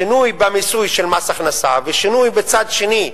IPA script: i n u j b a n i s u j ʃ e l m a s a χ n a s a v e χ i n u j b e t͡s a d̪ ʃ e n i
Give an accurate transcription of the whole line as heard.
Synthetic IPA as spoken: i n u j b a m i s u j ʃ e l m a s a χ n a s a v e ʃ i n u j b e t͡s a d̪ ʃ e n i